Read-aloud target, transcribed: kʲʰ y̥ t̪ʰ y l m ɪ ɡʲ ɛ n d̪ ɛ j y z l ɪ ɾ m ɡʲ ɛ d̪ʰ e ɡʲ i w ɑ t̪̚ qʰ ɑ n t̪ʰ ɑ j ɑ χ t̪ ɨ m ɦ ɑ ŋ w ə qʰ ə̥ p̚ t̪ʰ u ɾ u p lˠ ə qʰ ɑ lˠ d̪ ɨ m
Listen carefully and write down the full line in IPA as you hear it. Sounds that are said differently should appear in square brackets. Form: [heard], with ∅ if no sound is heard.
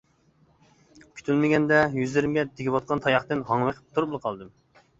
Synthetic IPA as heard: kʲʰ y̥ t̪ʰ y l m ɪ ɡʲ ɛ n d̪ ɛ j y z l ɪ ɾ m ɡʲ ɛ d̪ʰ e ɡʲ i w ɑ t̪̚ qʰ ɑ n t̪ʰ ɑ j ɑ χ t̪ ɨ [n] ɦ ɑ ŋ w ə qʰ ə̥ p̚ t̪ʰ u ɾ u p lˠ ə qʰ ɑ lˠ d̪ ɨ m